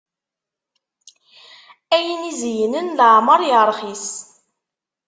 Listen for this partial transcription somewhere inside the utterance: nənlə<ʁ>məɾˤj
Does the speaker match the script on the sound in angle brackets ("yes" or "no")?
no